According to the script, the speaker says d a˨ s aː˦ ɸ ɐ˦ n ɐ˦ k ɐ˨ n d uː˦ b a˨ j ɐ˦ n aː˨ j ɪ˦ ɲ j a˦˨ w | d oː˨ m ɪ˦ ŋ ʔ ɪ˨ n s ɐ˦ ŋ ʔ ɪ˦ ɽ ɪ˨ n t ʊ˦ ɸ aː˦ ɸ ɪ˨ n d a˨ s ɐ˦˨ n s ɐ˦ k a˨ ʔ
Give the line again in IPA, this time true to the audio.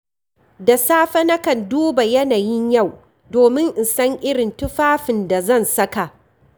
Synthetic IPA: d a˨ s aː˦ ɸ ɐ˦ n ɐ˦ k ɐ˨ n d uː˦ b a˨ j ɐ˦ n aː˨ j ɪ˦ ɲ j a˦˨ w | d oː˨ m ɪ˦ ŋ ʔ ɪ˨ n s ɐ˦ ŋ ʔ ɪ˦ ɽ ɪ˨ n t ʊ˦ ɸ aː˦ ɸ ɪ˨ n d a˨ z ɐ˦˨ n s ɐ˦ k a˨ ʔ